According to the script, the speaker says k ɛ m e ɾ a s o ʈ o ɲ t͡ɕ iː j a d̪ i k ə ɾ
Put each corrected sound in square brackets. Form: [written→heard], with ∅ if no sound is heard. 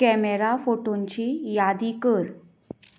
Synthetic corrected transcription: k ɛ m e ɾ a [s→f] o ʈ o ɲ t͡ɕ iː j a d̪ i k ə ɾ